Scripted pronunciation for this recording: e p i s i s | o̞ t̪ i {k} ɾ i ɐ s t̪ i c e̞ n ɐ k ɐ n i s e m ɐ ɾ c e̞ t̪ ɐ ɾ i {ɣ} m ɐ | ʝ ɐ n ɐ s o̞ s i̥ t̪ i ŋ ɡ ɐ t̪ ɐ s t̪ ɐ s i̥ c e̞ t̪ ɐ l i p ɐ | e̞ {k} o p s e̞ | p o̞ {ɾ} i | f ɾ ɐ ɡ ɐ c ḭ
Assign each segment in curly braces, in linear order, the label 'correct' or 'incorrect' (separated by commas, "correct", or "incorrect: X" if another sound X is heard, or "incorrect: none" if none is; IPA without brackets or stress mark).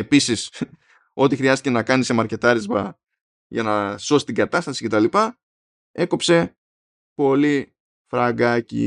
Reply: incorrect: x, incorrect: z, correct, incorrect: l